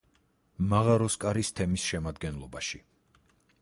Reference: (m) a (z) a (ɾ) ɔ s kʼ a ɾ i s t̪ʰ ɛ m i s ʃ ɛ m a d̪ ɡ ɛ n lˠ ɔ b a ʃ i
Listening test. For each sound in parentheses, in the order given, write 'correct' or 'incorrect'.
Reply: correct, incorrect, correct

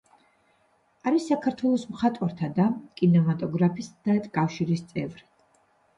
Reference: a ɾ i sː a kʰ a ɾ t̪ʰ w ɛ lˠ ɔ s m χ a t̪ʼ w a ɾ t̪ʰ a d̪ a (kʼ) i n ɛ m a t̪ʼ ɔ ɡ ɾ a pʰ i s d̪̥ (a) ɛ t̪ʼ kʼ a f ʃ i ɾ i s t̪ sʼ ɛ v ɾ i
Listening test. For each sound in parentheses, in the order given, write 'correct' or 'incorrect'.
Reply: correct, correct

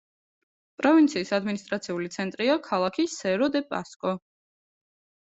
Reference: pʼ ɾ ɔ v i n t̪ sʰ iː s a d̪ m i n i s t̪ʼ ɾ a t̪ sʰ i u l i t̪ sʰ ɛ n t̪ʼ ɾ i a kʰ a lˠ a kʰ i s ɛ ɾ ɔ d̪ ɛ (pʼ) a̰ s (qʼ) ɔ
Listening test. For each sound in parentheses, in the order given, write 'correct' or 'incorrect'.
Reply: correct, incorrect

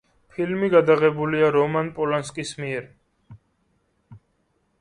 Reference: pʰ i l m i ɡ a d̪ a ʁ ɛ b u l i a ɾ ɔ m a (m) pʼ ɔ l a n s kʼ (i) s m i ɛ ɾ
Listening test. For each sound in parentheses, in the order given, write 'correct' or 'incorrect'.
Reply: incorrect, correct

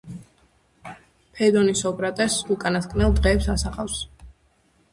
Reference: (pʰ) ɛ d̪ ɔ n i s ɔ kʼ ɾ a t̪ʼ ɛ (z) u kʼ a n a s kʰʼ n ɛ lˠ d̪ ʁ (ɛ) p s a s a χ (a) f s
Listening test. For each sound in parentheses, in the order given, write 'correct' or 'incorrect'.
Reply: correct, incorrect, incorrect, correct

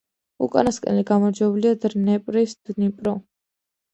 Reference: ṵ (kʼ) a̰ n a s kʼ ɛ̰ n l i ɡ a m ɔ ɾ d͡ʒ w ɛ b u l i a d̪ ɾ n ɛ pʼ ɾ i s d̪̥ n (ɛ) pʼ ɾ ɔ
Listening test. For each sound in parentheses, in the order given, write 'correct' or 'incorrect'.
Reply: correct, incorrect

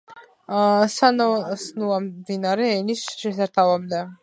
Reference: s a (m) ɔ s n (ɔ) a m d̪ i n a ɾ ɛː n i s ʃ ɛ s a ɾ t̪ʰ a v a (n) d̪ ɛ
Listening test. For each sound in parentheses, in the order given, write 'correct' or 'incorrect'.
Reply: incorrect, incorrect, incorrect

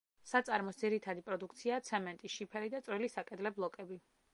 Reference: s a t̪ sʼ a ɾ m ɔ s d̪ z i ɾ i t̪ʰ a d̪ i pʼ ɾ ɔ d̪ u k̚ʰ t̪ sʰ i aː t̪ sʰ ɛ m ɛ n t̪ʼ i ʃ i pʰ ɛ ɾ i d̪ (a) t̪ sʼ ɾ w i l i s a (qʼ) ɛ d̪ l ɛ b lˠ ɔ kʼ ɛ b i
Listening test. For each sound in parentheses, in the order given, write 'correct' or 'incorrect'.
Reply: correct, incorrect

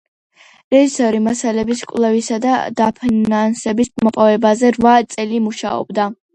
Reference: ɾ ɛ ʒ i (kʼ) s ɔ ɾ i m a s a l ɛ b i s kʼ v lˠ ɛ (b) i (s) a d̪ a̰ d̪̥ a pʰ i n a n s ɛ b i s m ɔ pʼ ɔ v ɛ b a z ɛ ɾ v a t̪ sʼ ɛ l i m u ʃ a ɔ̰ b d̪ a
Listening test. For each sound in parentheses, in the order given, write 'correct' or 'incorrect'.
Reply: incorrect, incorrect, correct

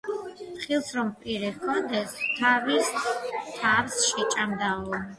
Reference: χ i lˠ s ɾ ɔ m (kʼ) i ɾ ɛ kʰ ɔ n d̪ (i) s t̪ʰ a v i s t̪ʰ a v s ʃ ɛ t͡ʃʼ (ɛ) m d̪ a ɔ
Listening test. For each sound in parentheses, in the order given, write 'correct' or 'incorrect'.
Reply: incorrect, incorrect, incorrect

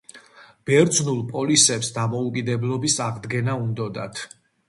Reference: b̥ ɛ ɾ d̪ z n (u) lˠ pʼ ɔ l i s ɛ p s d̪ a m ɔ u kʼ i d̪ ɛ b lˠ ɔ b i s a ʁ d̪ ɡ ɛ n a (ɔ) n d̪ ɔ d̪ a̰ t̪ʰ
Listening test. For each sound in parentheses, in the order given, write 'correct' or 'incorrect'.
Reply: correct, incorrect

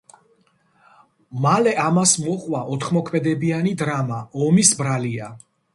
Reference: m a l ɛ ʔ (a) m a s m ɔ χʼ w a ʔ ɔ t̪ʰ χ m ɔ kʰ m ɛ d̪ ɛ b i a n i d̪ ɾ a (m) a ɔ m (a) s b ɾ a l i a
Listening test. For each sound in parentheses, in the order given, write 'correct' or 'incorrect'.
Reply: correct, correct, incorrect

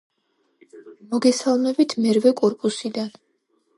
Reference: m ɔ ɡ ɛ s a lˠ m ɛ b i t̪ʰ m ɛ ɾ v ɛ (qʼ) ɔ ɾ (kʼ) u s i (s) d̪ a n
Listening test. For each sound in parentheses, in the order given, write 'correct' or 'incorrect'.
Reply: incorrect, incorrect, incorrect

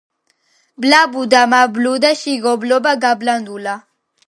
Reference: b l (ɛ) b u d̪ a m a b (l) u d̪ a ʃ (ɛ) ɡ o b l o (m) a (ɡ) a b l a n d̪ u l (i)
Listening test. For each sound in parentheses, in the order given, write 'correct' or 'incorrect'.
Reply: incorrect, correct, incorrect, incorrect, correct, incorrect

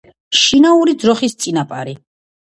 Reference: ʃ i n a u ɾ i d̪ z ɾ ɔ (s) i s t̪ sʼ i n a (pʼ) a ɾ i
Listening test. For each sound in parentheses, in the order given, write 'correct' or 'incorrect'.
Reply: incorrect, correct

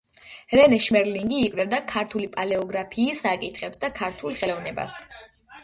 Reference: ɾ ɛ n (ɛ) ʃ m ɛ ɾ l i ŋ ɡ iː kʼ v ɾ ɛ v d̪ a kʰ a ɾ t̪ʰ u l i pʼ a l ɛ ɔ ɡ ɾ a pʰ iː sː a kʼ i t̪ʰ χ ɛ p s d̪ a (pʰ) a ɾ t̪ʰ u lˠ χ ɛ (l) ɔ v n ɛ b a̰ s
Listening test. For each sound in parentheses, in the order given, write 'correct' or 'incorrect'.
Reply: correct, incorrect, correct

